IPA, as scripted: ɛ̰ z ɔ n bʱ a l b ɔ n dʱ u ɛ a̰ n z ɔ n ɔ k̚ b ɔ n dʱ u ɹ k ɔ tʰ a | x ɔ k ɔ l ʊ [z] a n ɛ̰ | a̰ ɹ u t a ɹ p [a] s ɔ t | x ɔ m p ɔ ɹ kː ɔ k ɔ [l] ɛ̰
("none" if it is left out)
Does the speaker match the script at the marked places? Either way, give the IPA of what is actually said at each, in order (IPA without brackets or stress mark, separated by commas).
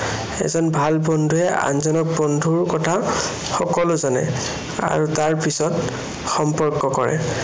z, i, ɹ